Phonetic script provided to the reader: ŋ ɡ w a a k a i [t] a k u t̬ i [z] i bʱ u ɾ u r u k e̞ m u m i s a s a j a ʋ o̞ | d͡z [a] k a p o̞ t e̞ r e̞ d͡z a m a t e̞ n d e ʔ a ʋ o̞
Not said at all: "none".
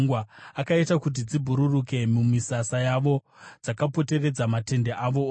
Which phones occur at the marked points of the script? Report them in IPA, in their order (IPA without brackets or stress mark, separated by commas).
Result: t, d͡z, a